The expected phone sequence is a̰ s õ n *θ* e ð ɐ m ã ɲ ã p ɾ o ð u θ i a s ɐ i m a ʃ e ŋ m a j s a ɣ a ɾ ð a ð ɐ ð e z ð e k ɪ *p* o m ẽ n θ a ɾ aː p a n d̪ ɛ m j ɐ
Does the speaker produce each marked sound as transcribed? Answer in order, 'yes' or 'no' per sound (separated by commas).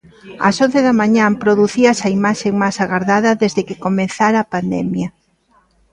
yes, no